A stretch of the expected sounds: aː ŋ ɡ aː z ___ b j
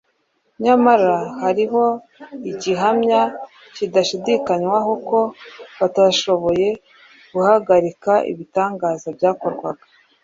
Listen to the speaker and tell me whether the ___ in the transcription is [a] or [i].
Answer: a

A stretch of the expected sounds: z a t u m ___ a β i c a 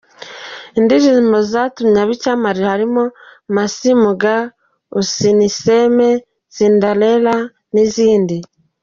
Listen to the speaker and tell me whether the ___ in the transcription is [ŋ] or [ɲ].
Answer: ɲ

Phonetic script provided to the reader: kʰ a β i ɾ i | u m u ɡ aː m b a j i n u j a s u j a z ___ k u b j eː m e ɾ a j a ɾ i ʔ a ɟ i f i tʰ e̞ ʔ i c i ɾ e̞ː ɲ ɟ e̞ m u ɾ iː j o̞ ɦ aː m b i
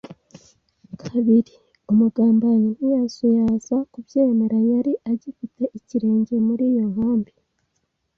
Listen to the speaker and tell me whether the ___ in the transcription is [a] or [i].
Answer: a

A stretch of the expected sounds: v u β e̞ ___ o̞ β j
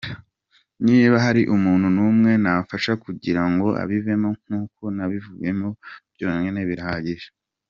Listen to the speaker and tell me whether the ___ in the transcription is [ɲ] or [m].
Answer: m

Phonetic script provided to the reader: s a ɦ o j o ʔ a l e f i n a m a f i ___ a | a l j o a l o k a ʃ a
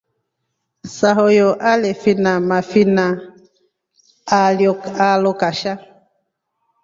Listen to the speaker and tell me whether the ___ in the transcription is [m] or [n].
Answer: n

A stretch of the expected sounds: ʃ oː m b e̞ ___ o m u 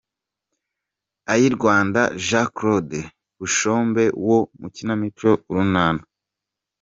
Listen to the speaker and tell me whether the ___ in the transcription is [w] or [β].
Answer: w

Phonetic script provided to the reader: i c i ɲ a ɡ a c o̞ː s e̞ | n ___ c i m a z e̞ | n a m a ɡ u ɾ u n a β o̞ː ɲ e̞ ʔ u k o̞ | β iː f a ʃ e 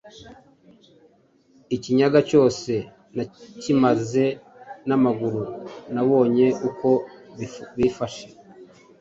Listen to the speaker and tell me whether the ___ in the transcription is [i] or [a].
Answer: a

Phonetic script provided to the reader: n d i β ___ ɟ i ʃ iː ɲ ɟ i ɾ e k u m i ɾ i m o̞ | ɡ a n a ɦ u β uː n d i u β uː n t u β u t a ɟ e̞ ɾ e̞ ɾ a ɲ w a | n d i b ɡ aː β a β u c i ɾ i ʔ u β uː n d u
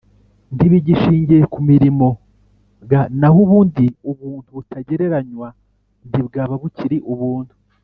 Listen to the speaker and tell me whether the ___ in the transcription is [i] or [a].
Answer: i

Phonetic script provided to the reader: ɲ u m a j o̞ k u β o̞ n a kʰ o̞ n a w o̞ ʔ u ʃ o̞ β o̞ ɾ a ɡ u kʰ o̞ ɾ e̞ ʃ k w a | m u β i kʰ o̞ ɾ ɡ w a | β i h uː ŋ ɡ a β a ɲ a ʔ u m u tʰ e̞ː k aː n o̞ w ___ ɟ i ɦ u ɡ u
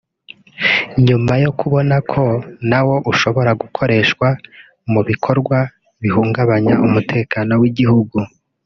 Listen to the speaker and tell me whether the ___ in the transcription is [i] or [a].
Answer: i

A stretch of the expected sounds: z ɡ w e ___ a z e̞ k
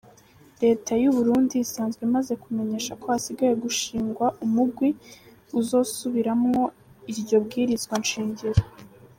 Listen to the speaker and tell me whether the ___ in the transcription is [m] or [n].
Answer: m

